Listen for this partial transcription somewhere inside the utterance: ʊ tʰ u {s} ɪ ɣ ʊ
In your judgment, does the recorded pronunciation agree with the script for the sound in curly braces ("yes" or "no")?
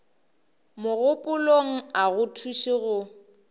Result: no